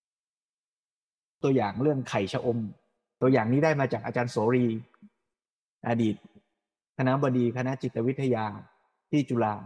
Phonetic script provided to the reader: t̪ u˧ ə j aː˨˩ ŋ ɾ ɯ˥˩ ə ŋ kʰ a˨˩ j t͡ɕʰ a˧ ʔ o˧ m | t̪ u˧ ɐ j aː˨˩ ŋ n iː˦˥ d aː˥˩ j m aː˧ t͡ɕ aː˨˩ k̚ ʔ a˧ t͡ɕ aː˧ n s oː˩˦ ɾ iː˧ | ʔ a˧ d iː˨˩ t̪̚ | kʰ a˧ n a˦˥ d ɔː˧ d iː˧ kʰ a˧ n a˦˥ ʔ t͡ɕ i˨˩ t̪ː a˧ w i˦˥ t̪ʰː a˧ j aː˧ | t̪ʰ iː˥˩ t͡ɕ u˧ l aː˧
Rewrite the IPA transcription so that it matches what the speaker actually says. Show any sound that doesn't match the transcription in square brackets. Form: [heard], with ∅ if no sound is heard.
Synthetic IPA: t̪ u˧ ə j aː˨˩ ŋ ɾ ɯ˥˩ ə ŋ kʰ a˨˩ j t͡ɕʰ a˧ ʔ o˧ m | t̪ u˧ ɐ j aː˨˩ ŋ n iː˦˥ d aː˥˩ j m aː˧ t͡ɕ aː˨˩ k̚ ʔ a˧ t͡ɕ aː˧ n s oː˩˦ ɾ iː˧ | ʔ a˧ d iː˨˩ t̪̚ | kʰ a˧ n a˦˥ [b] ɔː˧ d iː˧ kʰ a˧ n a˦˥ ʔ t͡ɕ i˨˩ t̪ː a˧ w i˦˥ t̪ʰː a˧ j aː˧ | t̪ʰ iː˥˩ t͡ɕ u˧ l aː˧